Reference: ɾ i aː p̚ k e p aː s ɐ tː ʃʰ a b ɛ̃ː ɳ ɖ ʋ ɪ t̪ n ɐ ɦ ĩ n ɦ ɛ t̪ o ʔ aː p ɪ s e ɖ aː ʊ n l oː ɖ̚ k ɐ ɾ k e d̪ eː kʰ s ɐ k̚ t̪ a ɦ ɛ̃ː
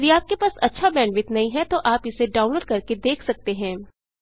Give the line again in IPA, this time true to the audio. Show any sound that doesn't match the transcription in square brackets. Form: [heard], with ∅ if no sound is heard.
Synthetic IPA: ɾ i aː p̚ k e p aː s ɐ tː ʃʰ a b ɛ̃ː ɳ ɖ ʋ ɪ t̪ n ɐ ɦ ĩ [∅] ɦ ɛ t̪ o ʔ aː p ɪ s e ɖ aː ʊ n l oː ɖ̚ k ɐ ɾ k e d̪ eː kʰ s ɐ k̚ t̪ [e] ɦ ɛ̃ː